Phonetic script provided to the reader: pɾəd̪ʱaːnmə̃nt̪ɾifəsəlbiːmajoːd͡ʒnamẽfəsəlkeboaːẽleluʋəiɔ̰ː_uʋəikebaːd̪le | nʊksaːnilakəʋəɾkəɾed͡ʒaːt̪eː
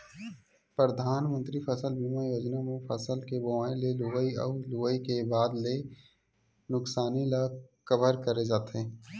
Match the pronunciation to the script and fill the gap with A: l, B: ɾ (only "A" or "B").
A